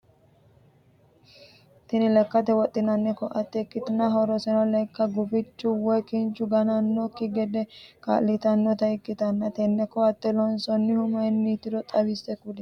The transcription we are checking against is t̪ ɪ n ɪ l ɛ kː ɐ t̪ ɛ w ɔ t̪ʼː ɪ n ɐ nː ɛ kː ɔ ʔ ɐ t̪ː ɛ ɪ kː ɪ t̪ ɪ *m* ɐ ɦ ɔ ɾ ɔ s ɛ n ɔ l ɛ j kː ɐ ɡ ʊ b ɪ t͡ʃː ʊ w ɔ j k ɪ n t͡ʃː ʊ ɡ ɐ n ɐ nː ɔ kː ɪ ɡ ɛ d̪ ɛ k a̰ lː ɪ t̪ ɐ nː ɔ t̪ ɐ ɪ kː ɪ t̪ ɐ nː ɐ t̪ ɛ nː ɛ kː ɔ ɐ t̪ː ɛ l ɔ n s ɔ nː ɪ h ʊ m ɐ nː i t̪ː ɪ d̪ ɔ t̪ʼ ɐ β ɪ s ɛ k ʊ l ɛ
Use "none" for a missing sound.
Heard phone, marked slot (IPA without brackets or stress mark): n